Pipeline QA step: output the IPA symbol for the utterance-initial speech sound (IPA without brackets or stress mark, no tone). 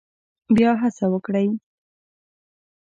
b